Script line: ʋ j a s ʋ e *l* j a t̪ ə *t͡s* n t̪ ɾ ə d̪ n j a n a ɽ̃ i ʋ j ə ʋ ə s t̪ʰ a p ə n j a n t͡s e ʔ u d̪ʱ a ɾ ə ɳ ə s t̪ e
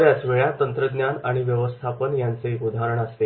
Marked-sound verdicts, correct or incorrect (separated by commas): incorrect, incorrect